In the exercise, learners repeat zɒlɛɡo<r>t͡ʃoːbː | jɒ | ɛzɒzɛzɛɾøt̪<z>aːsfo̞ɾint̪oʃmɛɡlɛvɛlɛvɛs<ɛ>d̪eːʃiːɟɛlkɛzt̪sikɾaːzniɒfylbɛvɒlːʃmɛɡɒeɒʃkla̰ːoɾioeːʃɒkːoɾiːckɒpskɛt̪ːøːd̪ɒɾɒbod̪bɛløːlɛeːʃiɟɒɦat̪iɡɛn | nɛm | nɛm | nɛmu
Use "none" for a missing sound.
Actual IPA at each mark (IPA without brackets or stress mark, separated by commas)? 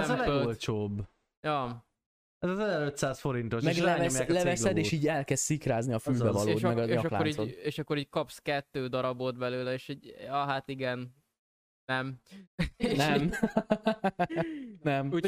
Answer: l, s, ɛ